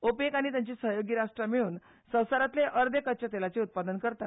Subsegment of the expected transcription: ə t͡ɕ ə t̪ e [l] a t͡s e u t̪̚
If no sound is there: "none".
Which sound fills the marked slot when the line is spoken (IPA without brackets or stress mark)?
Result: l